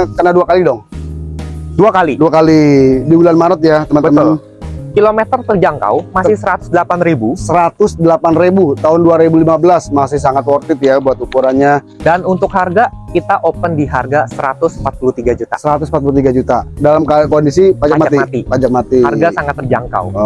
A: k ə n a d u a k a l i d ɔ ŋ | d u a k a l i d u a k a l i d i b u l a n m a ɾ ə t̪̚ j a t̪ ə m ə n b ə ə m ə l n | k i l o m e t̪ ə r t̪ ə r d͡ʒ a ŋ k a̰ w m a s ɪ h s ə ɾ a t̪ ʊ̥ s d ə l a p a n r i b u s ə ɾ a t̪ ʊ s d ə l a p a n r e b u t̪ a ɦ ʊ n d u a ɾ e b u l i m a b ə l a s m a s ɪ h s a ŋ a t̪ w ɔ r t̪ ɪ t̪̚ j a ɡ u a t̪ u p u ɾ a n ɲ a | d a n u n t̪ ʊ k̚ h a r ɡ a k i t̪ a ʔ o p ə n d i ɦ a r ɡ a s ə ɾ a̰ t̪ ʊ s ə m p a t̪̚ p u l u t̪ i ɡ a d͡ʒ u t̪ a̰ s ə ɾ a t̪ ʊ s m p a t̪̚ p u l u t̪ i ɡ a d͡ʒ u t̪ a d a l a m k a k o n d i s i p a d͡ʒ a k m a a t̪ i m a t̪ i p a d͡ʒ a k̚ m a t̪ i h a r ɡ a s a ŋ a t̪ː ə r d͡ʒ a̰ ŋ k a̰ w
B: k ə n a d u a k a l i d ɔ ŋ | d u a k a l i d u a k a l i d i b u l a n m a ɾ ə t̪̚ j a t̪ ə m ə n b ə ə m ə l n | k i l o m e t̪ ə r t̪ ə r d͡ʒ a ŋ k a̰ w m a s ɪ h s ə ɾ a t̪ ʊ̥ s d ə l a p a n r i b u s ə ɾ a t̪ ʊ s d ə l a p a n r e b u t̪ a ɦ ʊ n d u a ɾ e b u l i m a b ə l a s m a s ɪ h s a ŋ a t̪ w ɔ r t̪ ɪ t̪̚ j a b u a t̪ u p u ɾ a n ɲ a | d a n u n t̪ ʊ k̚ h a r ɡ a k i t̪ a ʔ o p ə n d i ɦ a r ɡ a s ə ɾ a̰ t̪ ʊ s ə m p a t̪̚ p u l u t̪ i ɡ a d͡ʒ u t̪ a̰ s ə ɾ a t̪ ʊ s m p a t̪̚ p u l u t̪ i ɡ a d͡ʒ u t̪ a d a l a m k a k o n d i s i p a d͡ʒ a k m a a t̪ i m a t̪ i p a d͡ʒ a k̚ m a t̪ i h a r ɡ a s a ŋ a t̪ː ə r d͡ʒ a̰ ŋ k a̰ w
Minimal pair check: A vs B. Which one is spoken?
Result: B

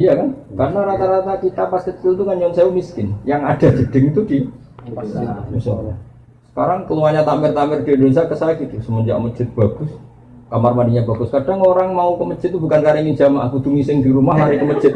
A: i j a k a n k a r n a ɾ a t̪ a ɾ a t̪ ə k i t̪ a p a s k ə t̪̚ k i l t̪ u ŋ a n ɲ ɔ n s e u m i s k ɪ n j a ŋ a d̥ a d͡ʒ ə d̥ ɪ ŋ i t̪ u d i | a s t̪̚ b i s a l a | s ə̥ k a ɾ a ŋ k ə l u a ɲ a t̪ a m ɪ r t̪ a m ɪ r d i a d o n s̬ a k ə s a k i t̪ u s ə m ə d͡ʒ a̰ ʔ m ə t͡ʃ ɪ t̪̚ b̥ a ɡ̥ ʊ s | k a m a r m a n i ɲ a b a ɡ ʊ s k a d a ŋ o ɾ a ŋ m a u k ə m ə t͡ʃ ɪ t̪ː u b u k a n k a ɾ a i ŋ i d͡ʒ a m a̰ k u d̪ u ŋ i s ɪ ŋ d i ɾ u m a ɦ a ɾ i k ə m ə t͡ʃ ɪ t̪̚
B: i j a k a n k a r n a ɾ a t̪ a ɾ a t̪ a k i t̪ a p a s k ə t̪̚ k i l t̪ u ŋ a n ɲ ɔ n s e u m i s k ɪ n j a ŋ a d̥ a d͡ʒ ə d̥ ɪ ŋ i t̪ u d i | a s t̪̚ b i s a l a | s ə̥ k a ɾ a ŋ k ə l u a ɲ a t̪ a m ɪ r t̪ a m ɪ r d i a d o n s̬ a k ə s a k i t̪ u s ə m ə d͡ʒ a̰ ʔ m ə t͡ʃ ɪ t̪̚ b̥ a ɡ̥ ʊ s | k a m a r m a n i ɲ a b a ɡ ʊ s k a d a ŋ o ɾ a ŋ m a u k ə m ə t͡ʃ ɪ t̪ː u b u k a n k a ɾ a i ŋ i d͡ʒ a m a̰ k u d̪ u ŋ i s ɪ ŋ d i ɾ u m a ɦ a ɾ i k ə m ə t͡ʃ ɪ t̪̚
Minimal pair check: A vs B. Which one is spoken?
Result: B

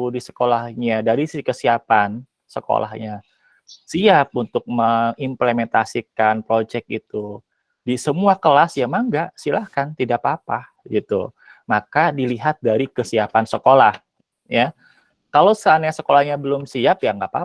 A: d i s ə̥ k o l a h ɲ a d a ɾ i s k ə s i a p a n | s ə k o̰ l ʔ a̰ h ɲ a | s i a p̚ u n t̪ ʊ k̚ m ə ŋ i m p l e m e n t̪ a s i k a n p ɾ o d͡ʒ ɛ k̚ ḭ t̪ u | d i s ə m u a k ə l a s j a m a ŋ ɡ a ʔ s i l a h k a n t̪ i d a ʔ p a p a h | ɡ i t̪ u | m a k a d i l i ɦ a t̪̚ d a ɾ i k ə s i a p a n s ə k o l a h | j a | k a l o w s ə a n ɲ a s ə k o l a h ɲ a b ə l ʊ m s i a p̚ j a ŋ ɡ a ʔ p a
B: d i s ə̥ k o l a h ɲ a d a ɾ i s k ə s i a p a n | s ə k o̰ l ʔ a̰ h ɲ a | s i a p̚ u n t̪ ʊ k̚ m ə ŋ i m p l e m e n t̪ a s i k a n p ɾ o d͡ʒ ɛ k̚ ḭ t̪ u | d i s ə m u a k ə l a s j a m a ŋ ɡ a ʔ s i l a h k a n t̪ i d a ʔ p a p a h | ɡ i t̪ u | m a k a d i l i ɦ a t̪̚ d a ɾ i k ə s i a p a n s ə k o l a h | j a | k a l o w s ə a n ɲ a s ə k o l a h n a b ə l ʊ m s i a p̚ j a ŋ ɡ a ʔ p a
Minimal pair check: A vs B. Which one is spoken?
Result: A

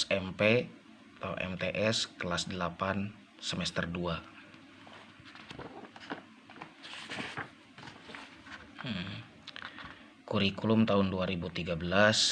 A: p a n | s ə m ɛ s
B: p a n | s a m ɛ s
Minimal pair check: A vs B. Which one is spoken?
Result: A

